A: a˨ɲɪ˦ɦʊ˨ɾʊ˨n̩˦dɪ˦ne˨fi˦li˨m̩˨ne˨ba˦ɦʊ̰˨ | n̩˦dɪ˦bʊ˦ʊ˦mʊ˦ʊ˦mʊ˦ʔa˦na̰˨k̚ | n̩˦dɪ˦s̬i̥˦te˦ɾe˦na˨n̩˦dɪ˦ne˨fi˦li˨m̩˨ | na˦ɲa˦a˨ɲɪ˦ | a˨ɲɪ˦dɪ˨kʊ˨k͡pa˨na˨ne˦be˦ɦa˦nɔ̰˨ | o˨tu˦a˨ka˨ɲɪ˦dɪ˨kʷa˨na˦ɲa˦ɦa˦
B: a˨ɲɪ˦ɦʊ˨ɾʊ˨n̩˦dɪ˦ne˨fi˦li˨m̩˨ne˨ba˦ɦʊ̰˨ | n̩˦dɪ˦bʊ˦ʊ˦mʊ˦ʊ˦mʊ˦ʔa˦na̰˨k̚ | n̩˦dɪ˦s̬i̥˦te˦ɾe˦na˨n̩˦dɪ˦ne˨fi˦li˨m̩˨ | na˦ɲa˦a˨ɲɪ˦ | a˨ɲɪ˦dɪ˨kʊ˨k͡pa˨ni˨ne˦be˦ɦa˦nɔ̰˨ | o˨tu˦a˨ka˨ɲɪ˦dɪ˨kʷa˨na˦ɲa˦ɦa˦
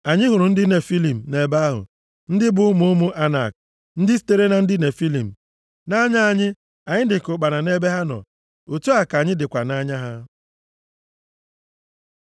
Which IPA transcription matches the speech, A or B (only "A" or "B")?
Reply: A